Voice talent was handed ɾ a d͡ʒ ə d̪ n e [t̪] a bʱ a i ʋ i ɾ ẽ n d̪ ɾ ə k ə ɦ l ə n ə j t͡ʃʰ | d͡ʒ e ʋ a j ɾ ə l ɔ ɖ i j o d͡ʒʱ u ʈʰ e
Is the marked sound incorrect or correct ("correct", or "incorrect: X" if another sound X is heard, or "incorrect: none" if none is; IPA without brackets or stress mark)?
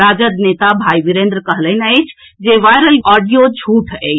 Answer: correct